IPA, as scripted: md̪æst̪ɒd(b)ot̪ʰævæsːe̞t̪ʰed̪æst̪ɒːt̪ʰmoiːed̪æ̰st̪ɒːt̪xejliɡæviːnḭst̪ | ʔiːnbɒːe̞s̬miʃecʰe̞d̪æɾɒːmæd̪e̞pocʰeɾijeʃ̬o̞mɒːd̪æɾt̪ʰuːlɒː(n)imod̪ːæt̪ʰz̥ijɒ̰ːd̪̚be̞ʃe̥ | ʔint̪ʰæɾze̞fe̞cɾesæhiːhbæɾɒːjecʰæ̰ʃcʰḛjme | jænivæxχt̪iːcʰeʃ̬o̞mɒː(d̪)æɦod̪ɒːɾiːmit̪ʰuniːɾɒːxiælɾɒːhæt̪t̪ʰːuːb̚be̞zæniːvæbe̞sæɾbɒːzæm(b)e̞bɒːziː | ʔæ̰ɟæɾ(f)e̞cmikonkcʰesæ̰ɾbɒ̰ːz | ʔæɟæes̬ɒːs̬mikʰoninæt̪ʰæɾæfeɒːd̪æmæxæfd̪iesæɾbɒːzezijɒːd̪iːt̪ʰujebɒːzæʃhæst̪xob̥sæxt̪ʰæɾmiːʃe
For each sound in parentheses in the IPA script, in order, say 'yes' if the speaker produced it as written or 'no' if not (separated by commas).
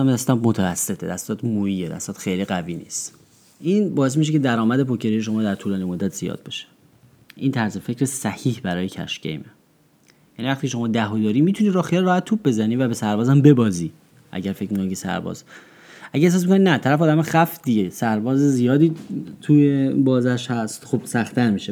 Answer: no, yes, yes, yes, yes